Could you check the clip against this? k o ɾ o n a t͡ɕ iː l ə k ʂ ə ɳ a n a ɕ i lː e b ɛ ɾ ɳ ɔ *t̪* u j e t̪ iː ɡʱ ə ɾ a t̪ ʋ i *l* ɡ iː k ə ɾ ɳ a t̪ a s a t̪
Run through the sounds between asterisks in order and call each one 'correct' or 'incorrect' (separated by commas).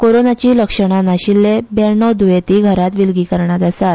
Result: incorrect, correct